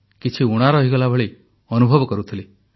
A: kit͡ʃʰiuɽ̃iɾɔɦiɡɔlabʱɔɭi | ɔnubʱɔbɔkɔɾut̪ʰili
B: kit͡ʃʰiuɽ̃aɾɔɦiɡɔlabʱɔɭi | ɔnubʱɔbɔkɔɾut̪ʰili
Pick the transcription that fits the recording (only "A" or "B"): B